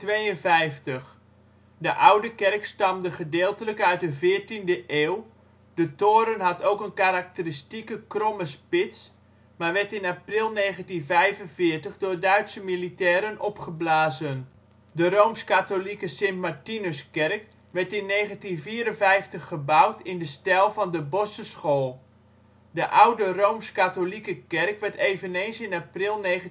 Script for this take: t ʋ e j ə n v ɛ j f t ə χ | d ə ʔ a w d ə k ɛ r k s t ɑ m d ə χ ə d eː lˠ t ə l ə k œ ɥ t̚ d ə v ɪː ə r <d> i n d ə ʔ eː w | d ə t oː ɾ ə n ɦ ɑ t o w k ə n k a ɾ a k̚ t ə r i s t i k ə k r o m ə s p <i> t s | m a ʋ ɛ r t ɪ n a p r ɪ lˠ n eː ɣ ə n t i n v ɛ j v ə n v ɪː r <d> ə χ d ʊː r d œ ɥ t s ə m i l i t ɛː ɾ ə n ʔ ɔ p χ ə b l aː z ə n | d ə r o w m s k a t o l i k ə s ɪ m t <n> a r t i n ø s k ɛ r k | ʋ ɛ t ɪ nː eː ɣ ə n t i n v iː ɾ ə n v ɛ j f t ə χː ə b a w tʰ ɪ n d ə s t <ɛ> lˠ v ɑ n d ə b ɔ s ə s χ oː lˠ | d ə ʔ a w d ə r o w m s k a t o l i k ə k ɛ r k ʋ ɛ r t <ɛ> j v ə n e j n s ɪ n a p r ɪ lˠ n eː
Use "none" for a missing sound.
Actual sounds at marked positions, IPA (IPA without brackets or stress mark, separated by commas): t, ɪ, t, m, ɛ, e